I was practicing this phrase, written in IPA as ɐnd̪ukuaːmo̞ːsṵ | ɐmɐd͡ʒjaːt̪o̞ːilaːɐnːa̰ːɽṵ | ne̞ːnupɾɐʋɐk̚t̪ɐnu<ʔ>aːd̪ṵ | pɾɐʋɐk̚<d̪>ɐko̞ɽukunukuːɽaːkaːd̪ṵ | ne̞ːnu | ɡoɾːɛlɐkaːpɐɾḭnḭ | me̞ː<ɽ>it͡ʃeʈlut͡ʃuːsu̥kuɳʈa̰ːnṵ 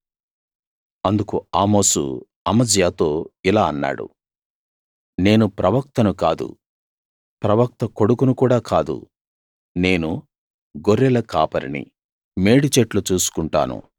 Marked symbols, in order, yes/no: no, no, yes

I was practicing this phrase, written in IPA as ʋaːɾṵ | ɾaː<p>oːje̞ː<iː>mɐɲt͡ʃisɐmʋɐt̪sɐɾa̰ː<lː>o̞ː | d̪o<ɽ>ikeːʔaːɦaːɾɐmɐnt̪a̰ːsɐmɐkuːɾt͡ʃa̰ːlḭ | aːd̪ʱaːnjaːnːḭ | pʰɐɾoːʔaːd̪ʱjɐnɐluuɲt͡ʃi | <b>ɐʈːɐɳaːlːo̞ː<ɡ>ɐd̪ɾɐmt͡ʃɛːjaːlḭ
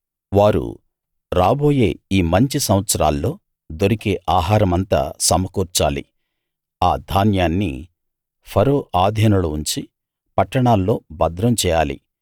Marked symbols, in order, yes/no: no, yes, yes, no, no, no

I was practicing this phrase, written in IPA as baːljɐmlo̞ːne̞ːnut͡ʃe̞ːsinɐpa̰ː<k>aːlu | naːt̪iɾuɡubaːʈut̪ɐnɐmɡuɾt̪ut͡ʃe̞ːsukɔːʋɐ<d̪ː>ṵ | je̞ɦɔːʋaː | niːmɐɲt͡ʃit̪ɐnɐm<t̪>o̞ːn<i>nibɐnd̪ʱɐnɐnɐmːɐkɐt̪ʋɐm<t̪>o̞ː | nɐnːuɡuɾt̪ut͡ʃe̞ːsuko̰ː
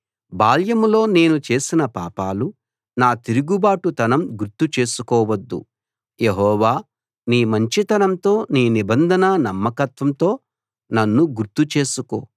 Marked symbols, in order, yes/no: no, yes, yes, no, yes

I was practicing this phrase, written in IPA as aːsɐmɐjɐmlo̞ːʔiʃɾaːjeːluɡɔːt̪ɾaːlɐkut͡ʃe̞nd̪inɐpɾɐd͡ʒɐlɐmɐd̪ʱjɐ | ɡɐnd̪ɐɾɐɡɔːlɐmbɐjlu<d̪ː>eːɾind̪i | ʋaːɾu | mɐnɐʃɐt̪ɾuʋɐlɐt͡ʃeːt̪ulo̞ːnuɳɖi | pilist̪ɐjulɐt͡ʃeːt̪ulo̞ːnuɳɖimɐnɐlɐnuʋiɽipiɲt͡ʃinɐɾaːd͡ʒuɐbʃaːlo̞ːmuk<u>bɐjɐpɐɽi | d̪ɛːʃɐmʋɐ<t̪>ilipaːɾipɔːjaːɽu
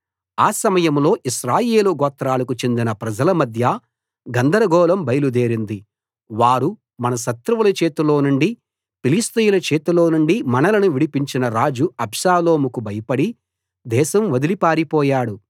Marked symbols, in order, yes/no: no, yes, no

